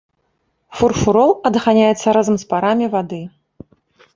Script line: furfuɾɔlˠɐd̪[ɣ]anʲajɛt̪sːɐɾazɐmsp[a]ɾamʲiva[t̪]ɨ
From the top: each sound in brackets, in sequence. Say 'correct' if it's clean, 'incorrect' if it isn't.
correct, correct, incorrect: d̪

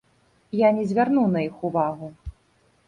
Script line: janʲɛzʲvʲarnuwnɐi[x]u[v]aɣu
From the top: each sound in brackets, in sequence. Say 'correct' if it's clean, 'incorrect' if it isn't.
correct, correct

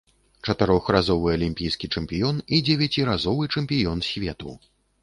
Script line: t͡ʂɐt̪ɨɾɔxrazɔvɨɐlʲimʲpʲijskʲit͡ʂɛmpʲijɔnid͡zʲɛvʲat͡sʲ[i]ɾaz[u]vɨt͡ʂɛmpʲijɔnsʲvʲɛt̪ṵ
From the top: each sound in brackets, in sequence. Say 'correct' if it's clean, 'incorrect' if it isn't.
correct, incorrect: ɔ

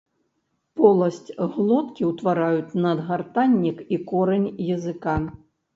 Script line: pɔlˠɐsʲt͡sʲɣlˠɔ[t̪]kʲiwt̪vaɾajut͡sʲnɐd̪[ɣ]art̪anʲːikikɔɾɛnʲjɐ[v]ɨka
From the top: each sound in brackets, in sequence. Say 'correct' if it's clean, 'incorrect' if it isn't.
correct, correct, incorrect: z

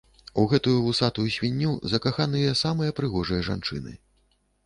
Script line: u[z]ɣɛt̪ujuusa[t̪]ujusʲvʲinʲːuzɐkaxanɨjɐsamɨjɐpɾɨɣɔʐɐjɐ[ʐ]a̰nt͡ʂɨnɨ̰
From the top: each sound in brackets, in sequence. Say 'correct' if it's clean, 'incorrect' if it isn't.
incorrect: none, correct, correct

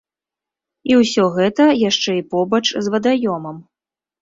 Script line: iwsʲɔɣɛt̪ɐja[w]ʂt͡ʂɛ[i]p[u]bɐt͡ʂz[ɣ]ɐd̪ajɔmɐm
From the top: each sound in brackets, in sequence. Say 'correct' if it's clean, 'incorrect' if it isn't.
incorrect: none, correct, incorrect: ɔ, incorrect: v

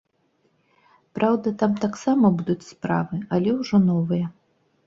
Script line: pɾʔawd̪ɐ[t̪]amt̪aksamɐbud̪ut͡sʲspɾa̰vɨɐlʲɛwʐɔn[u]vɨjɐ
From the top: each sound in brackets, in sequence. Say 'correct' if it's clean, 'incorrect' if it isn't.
correct, incorrect: ɔ

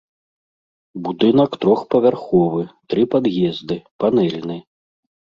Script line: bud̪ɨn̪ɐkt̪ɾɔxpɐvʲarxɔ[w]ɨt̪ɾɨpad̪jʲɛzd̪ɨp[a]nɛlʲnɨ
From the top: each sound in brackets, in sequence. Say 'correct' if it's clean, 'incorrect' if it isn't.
incorrect: v, correct

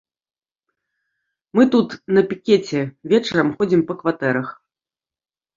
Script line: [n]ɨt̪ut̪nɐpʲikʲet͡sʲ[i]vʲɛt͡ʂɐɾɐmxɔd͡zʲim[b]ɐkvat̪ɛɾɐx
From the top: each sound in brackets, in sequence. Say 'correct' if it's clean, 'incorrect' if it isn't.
incorrect: m, incorrect: ɛ, incorrect: p

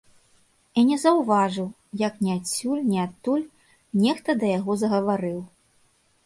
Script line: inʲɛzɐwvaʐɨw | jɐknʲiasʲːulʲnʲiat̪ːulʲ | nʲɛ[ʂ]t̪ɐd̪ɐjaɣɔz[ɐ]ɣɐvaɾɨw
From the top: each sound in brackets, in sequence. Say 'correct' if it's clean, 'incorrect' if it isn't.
incorrect: x, correct

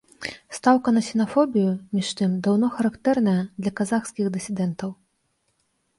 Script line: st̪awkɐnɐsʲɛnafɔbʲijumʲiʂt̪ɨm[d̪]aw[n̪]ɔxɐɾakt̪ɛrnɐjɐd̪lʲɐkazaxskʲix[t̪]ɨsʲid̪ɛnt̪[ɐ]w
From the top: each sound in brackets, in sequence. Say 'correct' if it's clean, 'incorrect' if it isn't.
correct, correct, incorrect: d̪, correct

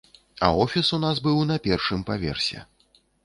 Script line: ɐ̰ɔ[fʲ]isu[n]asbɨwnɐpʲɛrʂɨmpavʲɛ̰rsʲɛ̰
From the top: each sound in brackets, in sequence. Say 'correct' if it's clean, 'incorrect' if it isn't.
correct, correct

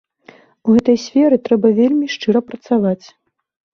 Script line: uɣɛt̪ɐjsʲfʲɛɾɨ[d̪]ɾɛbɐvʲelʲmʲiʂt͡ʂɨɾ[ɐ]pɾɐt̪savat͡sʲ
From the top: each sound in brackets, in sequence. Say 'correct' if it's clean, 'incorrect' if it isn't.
incorrect: t̪, correct

